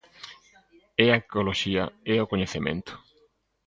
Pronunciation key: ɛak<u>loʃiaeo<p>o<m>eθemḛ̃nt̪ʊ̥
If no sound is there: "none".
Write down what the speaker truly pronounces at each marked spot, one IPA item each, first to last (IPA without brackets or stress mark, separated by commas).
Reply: o, k, ɲ